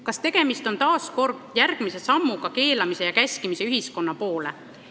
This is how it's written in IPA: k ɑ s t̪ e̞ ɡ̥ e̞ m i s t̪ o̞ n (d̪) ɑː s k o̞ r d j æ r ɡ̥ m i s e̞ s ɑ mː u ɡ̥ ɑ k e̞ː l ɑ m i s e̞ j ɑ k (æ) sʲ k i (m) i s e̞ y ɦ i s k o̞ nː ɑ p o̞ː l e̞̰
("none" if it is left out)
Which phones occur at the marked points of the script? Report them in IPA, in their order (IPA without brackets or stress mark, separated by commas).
t̪, æ, m